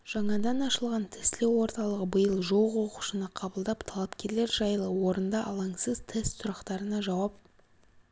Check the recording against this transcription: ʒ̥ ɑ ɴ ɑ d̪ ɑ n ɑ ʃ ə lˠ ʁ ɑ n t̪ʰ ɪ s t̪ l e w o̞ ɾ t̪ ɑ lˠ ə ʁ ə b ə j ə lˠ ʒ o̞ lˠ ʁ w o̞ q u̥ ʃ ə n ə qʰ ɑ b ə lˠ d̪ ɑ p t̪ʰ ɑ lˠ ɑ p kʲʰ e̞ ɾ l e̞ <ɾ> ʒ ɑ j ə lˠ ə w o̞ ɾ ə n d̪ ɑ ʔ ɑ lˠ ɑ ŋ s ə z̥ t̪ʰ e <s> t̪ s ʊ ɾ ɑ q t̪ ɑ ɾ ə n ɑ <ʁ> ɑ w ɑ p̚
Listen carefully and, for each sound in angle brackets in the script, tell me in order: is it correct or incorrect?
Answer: correct, correct, incorrect: ʒ

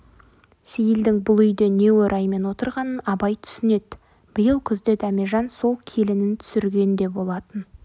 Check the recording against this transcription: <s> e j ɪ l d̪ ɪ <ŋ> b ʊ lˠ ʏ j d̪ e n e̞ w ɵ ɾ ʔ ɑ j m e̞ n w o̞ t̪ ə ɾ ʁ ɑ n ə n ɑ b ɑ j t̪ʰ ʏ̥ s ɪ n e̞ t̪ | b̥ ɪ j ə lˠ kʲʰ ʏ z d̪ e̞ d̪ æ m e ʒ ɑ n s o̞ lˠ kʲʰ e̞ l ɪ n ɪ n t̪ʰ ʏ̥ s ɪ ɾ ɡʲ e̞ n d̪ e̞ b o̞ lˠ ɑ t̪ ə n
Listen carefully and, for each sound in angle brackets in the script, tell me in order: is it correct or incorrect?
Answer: correct, correct

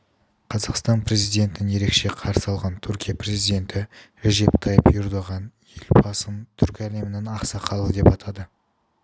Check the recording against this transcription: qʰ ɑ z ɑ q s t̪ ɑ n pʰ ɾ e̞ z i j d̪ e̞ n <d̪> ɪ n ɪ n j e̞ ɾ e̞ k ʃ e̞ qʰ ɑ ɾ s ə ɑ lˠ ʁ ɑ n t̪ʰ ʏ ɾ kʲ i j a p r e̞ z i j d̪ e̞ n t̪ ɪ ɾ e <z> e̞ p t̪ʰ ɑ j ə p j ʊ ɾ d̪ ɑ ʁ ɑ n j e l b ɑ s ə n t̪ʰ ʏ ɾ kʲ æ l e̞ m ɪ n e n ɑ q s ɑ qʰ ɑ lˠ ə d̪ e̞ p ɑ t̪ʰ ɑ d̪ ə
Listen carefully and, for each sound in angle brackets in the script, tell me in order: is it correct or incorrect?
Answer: incorrect: t̪, incorrect: ʒ

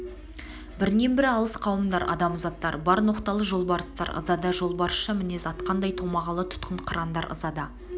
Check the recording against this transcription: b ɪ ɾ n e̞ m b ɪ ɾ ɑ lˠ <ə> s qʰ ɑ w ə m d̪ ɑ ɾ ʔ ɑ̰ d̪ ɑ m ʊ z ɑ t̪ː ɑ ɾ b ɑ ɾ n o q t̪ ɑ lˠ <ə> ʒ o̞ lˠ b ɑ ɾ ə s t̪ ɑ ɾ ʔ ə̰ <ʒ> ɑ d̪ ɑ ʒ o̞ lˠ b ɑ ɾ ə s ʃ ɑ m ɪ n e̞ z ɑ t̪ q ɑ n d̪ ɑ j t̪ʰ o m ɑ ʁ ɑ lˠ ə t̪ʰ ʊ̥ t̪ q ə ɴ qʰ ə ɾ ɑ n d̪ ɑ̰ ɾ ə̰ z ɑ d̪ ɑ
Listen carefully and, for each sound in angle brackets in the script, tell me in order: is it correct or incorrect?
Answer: correct, correct, incorrect: z

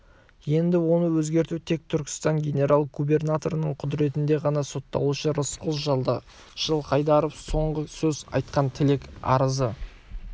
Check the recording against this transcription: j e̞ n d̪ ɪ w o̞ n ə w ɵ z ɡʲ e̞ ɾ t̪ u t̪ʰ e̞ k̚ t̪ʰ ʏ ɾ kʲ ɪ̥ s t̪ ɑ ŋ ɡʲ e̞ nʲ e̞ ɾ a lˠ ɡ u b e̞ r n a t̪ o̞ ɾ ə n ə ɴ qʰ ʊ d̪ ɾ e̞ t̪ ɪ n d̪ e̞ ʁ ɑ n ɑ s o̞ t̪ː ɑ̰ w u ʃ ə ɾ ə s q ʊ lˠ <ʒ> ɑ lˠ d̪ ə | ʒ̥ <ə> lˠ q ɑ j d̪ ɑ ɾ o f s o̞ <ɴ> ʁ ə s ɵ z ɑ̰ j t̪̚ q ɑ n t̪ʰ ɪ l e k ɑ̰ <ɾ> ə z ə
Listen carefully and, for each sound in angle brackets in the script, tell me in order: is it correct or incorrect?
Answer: correct, correct, correct, correct

